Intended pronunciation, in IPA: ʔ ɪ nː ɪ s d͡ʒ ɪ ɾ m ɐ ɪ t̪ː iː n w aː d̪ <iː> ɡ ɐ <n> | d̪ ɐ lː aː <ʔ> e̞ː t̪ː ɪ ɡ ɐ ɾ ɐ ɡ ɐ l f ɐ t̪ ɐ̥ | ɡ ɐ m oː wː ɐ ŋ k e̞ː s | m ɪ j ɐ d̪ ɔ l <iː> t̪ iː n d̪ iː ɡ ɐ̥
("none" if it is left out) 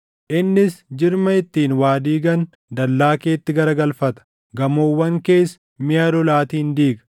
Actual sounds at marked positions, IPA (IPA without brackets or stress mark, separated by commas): iː, n, k, aː